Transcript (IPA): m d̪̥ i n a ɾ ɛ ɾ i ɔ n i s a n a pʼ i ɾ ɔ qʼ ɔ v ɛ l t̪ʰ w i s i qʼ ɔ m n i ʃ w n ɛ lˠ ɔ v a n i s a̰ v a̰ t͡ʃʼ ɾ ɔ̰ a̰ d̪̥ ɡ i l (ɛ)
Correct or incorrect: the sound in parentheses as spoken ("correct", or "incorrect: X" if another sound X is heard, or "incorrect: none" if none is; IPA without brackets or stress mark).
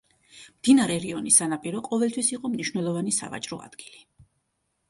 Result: incorrect: i